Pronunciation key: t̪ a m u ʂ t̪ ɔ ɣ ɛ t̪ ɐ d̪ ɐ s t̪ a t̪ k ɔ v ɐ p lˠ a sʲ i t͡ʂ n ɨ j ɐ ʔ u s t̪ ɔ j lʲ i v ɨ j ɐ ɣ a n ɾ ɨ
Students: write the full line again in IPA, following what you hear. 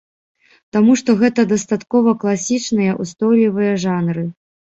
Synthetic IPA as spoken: t̪ a m u ʂ t̪ ɔ ɣ ɛ t̪ ɐ d̪ ɐ s t̪ a t̪ k ɔ v ɐ k lˠ a sʲ i t͡ʂ n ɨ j ɐ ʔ u s t̪ ɔ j lʲ i v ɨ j ɐ ʐ a n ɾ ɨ